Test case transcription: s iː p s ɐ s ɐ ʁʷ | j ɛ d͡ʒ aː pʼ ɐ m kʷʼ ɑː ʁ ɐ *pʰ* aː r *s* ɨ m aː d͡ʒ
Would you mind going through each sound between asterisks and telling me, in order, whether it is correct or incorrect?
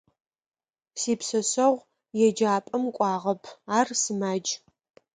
correct, correct

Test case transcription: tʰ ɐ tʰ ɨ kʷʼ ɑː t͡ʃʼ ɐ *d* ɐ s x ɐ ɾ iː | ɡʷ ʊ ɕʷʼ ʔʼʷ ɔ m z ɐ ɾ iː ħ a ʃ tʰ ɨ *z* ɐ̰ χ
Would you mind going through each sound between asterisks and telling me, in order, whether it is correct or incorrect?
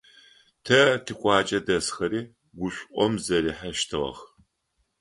correct, incorrect

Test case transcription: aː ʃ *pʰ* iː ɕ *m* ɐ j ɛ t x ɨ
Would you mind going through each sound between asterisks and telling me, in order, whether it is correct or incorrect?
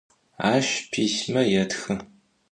correct, correct

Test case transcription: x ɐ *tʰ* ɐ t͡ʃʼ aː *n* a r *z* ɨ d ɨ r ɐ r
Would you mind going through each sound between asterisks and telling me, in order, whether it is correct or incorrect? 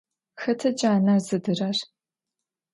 correct, correct, correct

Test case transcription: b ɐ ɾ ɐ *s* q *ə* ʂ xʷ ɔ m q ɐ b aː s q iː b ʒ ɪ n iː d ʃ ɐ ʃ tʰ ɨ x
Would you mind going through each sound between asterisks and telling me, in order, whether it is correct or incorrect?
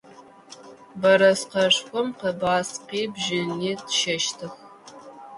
correct, incorrect

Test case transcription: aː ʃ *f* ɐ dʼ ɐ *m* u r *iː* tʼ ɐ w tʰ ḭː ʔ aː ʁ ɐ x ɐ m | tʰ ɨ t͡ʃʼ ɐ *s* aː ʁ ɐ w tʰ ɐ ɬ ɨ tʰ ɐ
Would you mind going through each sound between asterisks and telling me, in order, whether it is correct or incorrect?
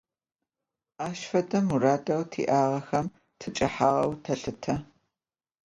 correct, correct, incorrect, incorrect

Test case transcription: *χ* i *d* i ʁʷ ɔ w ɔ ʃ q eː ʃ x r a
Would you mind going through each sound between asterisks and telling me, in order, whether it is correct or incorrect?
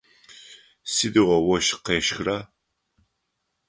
incorrect, correct

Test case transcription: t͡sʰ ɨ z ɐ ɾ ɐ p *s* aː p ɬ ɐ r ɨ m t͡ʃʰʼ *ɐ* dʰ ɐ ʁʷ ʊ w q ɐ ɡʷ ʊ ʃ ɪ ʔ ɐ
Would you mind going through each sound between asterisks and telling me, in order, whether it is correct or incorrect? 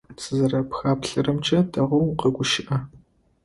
incorrect, correct

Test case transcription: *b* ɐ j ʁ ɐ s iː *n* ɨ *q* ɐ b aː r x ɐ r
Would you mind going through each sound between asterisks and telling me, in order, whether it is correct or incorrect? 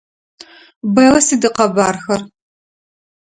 correct, incorrect, correct

